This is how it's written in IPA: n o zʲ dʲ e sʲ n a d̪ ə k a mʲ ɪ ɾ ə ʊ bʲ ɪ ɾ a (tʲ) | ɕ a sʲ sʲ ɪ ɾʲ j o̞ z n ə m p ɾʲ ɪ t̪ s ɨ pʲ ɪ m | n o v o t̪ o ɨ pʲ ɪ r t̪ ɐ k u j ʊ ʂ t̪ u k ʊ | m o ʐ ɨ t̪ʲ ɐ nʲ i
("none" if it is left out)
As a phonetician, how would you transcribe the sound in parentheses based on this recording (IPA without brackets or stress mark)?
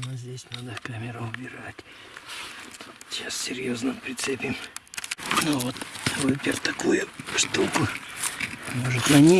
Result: tʲ